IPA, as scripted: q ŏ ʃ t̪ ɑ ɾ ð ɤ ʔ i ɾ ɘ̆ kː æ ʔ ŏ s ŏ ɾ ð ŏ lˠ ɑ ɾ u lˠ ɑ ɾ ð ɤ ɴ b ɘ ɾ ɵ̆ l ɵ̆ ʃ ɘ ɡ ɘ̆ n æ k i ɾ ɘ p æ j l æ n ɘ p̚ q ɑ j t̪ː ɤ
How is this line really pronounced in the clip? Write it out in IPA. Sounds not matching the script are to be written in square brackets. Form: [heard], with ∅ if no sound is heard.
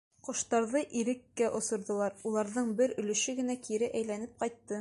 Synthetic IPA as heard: q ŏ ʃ t̪ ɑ ɾ ð ɤ ʔ i ɾ ɘ̆ kː æ ʔ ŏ s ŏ ɾ ð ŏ lˠ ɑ ɾ u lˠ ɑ ɾ ð ɤ ɴ b ɘ ɾ ɵ̆ l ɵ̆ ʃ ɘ ɡ ɘ̆ n æ k i ɾ ɘ [ʔ] æ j l æ n ɘ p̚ q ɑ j t̪ː ɤ